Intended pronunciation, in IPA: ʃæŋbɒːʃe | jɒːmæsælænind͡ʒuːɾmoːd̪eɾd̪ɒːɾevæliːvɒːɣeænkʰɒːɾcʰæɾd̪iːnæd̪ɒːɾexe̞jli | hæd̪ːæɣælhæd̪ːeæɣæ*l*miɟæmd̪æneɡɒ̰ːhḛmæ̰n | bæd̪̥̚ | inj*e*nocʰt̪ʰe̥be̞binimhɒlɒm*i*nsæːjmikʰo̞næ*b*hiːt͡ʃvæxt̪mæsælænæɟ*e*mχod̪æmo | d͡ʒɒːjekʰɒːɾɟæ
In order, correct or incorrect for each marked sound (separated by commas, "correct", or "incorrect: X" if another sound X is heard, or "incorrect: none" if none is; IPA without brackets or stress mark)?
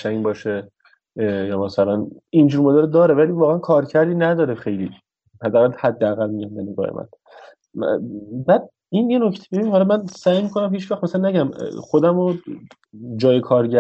correct, correct, incorrect: æ, incorrect: m, incorrect: æ